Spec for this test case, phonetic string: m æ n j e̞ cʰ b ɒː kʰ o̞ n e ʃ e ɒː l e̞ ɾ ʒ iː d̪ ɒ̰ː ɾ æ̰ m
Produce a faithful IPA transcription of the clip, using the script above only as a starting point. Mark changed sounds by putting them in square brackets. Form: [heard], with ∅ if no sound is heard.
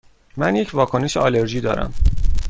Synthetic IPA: m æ n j e̞ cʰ [v] ɒː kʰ o̞ n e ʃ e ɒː l e̞ ɾ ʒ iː d̪ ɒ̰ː ɾ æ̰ m

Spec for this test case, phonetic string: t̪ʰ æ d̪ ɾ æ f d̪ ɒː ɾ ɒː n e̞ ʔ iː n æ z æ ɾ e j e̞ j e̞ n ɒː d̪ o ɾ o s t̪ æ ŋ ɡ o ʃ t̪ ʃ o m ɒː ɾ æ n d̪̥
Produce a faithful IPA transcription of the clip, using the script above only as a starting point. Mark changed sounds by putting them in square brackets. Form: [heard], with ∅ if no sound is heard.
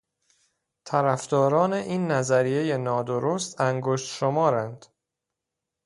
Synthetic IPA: t̪ʰ æ [∅] ɾ æ f d̪ ɒː ɾ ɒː n e̞ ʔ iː [nː] æ z æ ɾ [i] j e̞ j e̞ n ɒː d̪ o ɾ o s t̪ æ ŋ ɡ o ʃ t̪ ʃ o m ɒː ɾ æ n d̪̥

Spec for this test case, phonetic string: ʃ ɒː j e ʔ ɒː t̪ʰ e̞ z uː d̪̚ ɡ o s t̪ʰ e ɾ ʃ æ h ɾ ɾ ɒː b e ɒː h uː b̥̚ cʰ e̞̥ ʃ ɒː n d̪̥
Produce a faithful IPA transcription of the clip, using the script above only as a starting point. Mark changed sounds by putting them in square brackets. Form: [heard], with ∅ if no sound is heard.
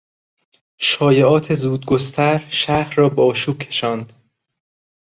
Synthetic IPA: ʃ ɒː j e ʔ ɒː t̪ʰ e̞ z uː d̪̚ ɡ o s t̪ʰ [æ] ɾ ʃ æ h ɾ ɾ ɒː b e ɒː [ʃ] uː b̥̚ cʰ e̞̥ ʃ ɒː n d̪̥

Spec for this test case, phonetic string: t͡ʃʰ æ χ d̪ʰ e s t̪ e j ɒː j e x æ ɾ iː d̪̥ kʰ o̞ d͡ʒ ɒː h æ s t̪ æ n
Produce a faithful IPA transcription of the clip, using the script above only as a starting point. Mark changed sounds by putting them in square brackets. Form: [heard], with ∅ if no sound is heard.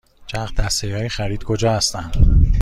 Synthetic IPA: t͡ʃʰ æ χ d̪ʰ [æ] s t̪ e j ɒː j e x æ ɾ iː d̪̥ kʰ o̞ d͡ʒ ɒː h æ s t̪ æ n

